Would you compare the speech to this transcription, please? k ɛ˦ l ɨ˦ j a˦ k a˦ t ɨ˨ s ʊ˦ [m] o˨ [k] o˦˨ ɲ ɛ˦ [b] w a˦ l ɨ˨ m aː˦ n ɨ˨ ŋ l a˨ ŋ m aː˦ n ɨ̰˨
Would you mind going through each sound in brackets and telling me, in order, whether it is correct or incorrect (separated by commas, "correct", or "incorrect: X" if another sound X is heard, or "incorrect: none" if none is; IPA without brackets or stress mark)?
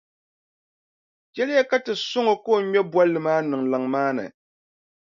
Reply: incorrect: ŋ, correct, correct